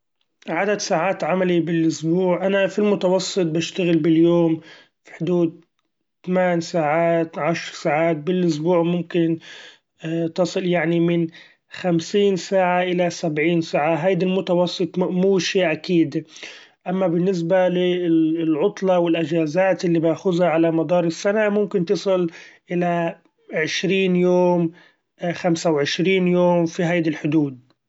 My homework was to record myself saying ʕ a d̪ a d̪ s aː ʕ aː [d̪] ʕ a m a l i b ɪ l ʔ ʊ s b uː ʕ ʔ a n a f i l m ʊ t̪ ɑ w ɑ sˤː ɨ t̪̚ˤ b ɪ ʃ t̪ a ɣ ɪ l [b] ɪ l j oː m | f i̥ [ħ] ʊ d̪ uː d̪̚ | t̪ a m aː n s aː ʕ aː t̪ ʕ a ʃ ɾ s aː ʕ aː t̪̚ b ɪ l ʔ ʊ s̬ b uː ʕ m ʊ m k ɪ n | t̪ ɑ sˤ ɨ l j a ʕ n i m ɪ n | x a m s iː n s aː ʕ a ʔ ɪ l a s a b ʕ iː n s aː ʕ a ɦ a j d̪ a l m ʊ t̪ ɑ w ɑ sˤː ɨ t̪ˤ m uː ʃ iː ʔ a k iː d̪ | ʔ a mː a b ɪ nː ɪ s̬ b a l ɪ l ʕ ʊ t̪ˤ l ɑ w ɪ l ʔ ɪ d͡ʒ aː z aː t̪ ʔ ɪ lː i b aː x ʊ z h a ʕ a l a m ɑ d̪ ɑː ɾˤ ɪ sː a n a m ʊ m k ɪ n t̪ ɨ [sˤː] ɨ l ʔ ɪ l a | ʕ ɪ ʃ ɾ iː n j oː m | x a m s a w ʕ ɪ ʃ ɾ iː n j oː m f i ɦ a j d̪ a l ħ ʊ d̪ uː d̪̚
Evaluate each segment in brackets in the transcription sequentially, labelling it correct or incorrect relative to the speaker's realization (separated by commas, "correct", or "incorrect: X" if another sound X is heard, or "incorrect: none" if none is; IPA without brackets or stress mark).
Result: incorrect: t̪, correct, correct, incorrect: sˤ